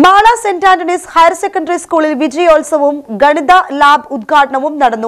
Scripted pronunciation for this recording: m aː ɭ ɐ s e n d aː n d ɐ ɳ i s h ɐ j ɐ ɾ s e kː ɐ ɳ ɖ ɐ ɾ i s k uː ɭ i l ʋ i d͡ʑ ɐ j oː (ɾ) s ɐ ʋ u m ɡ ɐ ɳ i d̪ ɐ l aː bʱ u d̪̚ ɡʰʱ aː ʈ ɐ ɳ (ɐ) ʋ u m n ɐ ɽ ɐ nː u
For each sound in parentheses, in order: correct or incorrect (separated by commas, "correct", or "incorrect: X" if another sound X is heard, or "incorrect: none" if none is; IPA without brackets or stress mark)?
incorrect: l, correct